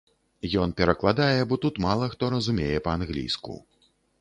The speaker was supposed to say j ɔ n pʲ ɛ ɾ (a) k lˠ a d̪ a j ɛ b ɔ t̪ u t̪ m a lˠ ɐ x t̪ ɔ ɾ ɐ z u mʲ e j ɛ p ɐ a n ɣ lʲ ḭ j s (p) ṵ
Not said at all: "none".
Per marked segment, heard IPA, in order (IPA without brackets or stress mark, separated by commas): ɐ, k